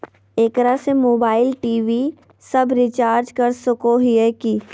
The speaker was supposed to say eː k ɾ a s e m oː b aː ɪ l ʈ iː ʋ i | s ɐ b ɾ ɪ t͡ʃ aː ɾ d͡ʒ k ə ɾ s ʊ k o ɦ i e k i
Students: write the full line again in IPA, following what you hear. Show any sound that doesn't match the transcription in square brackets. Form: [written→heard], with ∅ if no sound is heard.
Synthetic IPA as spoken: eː k ɾ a s e m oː b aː ɪ l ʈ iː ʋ i | s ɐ b ɾ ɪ t͡ʃ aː ɾ d͡ʒ k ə ɾ s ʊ k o ɦ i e k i